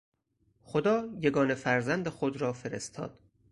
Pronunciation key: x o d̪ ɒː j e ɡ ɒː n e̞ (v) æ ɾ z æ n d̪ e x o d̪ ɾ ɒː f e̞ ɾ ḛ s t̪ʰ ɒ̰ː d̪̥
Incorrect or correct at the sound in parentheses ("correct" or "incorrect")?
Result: incorrect